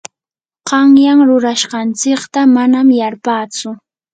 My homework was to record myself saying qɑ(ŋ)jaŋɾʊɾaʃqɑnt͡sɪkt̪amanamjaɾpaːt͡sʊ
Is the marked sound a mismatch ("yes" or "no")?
no